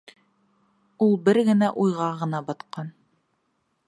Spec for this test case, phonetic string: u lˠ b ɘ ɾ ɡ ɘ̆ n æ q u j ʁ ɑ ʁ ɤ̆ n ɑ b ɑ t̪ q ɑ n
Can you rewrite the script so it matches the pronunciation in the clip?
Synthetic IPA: u lˠ b ɘ ɾ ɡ ɘ̆ n æ ʔ u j ʁ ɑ ʁ ɤ̆ n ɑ b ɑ t̪ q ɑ n

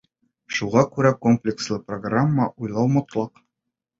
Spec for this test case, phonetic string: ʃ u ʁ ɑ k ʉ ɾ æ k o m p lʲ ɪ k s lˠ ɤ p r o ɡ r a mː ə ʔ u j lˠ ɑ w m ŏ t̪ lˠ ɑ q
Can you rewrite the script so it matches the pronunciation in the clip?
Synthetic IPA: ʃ u ʁ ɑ k ʉ ɾ æ k o m p lʲ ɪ k s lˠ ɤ p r o ɡ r a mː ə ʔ u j lˠ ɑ w m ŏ t̪ lˠ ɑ q

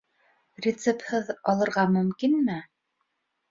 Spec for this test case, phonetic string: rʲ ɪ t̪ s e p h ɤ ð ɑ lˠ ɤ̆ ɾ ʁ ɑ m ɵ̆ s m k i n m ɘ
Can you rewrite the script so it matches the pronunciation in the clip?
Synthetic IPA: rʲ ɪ t̪ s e p h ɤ ð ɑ lˠ ɤ̆ ɾ ʁ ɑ m ɵ̆ m k i n m ɘ

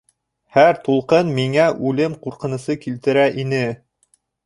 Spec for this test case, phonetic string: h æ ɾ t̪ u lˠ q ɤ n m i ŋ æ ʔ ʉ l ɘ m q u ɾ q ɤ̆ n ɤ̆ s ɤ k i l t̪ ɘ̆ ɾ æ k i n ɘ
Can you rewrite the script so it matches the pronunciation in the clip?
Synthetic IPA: h æ ɾ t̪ u lˠ q ɤ n m i ŋ æ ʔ ʉ l ɘ m q u ɾ q ɤ̆ n ɤ̆ s ɤ k i l t̪ ɘ̆ ɾ æ ʔ i n ɘ

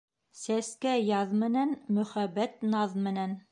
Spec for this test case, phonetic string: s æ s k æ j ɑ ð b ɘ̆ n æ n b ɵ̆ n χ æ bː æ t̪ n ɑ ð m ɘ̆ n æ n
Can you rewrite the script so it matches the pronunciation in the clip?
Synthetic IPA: s æ s k æ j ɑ ð m ɘ̆ n æ n m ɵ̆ χ æ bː æ t̪ n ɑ ð m ɘ̆ n æ n

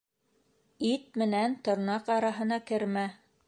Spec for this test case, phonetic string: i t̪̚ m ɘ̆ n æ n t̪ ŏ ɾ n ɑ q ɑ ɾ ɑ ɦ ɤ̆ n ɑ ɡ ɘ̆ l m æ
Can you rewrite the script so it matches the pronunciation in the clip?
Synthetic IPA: i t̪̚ m ɘ̆ n æ n t̪ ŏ ɾ n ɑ q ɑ ɾ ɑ ɦ ɤ̆ n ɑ k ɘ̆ ɾ m æ

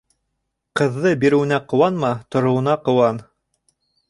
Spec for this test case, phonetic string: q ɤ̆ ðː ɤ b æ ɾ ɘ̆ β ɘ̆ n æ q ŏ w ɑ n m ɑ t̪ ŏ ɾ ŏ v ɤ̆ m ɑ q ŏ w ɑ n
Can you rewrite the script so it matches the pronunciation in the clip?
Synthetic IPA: q ɤ̆ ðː ɤ b i ɾ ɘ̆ w ɘ̆ n æ q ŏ w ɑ n m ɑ t̪ ŏ ɾ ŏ w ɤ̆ n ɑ q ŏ w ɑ n

